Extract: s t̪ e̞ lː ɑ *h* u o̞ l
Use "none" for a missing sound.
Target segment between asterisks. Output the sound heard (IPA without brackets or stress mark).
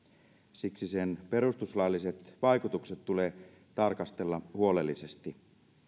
h